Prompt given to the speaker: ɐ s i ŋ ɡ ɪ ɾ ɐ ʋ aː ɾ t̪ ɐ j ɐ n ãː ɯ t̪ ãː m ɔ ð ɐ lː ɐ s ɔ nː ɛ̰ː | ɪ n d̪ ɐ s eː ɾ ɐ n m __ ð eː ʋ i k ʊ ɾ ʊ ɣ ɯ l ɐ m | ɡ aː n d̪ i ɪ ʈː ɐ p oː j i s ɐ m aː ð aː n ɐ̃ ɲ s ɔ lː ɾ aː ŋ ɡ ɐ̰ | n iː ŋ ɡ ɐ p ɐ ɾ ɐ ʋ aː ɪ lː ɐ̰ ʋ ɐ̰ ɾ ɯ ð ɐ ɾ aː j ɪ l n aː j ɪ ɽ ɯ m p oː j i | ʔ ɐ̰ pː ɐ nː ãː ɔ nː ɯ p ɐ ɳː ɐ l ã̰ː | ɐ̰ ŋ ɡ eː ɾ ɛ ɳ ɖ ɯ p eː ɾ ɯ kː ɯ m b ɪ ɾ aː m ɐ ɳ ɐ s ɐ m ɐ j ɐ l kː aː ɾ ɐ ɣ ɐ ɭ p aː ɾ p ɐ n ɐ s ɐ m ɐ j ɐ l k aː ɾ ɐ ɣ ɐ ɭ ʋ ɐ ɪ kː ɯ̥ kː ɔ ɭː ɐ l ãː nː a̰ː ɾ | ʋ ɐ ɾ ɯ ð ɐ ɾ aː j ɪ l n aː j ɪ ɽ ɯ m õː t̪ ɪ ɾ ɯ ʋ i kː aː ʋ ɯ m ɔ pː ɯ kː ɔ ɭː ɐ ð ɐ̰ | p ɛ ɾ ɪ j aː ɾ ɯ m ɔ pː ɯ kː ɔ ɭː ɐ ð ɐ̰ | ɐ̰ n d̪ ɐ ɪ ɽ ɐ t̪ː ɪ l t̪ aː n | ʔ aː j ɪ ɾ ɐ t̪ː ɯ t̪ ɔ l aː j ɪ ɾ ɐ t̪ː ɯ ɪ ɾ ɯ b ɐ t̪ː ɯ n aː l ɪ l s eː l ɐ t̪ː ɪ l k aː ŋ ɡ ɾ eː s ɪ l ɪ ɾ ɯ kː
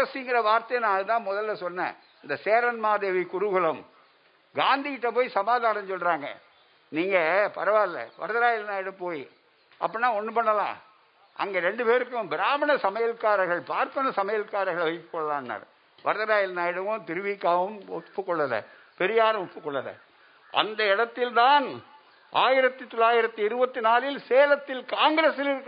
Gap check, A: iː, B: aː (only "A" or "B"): B